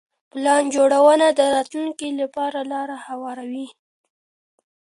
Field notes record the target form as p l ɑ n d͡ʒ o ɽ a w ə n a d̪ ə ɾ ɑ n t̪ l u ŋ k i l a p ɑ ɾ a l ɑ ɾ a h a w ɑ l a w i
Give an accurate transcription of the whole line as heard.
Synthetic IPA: p l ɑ n d͡ʒ o ɽ a w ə n a d̪ ə ɾ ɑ t̪ l u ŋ k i l a p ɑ ɾ a l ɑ ɾ a h a w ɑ ɾ a w i